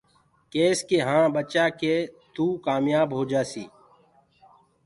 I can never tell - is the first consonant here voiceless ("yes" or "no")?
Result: yes